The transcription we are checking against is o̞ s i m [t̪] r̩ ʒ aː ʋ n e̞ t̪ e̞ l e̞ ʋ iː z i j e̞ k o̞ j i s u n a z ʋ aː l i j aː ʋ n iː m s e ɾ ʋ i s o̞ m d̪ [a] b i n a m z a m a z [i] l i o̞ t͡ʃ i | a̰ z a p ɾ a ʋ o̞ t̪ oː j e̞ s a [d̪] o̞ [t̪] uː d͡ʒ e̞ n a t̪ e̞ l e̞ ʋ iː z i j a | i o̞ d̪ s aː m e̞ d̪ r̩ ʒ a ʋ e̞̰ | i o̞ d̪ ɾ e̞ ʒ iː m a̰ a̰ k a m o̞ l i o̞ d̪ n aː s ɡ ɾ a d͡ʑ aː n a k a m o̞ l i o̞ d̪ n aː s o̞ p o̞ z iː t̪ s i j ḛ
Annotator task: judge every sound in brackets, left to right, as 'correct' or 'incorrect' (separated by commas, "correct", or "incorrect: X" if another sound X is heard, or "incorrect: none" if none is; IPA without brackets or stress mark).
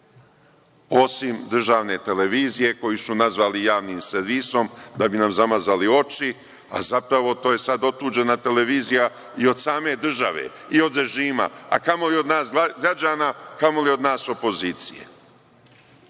incorrect: d̪, correct, incorrect: a, correct, correct